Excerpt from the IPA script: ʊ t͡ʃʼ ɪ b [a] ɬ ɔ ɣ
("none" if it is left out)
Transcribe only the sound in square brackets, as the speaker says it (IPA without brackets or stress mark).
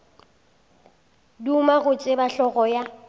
a